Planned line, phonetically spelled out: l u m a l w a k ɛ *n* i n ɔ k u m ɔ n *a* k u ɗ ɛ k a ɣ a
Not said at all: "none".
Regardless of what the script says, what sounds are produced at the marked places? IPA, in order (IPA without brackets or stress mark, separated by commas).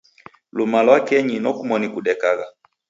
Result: ɲ, i